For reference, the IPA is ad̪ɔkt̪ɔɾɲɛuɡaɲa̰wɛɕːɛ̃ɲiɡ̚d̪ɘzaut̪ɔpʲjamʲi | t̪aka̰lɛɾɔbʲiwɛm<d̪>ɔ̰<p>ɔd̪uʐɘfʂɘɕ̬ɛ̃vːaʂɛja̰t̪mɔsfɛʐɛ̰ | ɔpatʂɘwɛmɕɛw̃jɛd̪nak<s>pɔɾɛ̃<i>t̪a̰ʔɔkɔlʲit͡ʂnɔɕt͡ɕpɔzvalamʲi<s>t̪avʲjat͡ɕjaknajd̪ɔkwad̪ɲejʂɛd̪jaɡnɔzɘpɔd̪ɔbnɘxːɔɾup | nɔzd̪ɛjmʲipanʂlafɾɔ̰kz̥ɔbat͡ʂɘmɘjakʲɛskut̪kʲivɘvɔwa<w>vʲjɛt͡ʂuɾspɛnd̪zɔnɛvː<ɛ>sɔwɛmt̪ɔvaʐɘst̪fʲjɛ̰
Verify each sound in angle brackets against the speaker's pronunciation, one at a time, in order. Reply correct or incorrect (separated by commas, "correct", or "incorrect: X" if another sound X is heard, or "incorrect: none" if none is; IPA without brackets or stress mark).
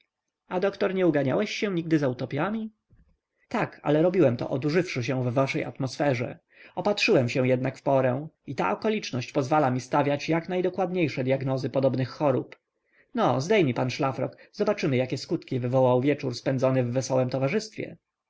incorrect: t̪, incorrect: ʔ, incorrect: f, correct, correct, correct, correct